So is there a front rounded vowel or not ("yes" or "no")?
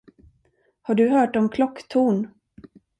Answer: yes